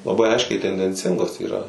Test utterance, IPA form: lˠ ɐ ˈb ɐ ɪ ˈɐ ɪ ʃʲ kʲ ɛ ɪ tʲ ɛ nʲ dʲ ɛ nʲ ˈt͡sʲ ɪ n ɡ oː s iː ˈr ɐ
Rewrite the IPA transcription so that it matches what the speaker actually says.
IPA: lˠ ɐ ˈb ɐ ɪ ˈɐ ɪ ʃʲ kʲ ɛ ɪ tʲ ɛ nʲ dʲ ɛ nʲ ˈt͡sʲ ɪ ŋ ɡ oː s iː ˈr ɐ